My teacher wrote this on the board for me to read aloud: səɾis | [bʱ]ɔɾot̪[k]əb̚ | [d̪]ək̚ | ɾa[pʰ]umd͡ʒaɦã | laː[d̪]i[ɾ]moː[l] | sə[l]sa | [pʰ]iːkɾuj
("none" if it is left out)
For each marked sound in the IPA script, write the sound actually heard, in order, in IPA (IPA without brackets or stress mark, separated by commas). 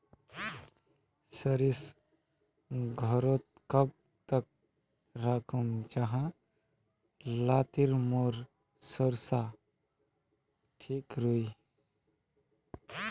ɡʱ, k, t̪, kʰ, t̪, ɾ, ɾ, ɾ, ʈʰ